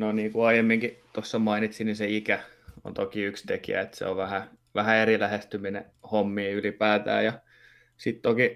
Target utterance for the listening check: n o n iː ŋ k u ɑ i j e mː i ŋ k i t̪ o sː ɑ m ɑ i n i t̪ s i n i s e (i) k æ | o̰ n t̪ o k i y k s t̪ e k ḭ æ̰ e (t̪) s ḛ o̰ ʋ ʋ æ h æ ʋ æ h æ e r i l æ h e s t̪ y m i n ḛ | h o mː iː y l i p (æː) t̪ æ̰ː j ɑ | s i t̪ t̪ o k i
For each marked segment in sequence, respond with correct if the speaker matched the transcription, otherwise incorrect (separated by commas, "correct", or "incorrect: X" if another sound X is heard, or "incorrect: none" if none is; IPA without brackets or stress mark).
correct, correct, correct